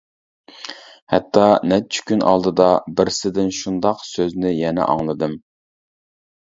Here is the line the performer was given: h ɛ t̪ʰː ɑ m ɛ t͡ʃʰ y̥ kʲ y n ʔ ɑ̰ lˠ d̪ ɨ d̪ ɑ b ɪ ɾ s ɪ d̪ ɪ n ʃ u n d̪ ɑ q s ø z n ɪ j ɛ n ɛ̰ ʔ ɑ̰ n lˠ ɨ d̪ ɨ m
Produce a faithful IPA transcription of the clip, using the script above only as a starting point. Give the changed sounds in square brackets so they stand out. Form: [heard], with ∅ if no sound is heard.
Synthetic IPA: h ɛ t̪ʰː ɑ [n] ɛ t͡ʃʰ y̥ kʲ y n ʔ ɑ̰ lˠ d̪ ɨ d̪ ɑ b ɪ ɾ s ɪ d̪ ɪ n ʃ u n d̪ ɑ q s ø z n ɪ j ɛ n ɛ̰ ʔ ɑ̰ [ŋ] lˠ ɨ d̪ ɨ m